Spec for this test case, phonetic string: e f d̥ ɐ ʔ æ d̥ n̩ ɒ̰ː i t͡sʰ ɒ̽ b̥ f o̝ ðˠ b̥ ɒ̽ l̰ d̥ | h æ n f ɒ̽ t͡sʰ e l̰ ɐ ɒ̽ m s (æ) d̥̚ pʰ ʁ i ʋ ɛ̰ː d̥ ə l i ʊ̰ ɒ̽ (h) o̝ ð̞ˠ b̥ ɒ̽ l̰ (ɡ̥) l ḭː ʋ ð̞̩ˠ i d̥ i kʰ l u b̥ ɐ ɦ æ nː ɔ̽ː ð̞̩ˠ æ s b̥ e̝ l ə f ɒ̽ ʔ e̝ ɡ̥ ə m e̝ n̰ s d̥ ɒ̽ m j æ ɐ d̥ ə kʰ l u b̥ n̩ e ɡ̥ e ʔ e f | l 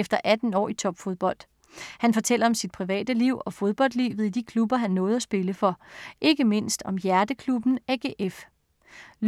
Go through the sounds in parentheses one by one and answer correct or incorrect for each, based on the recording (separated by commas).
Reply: incorrect, incorrect, incorrect